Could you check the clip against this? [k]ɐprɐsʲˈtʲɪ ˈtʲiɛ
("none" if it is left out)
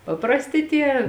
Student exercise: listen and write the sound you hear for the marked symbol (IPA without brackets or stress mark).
p